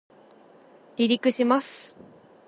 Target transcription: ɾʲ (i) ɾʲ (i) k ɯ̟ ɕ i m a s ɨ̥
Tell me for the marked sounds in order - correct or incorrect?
correct, correct

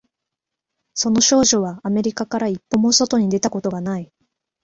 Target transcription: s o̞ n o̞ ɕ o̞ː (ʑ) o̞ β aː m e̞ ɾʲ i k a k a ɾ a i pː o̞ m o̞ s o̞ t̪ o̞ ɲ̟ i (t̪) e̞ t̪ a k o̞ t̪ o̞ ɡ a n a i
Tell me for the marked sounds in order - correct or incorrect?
correct, incorrect: d̪

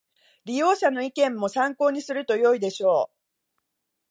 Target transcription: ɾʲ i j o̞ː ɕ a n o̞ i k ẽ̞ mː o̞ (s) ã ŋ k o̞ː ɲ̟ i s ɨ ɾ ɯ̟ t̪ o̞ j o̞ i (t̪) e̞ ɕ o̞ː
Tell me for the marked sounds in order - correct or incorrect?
correct, incorrect: d̪

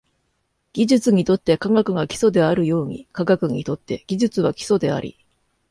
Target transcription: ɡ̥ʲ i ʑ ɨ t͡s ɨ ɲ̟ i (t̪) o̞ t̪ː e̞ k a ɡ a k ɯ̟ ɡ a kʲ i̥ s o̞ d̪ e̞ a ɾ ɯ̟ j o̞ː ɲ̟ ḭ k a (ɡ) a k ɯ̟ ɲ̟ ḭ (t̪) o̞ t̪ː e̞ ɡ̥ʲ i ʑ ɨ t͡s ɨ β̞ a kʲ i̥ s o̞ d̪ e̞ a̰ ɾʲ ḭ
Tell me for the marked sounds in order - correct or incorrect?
correct, correct, correct

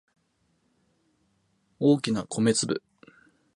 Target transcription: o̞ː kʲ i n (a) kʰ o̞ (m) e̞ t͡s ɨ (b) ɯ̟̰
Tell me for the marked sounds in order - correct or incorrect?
correct, correct, correct

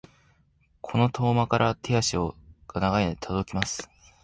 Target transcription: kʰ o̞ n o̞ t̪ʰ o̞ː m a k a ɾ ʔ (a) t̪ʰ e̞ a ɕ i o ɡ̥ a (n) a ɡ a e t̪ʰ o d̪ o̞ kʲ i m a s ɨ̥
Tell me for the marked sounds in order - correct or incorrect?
correct, correct

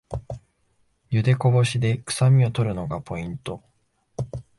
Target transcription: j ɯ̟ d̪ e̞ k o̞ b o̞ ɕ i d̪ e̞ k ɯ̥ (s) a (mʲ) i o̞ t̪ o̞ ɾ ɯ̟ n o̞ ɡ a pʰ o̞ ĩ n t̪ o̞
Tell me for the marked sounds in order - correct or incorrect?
correct, correct

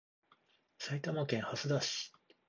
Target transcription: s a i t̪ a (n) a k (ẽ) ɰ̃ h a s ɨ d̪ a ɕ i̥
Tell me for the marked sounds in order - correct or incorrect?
incorrect: m, correct

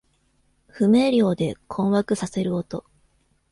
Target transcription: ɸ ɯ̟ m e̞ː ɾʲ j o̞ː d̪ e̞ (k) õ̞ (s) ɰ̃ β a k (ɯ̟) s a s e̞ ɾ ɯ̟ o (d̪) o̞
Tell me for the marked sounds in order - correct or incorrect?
incorrect: kʰ, incorrect: none, correct, incorrect: t̪

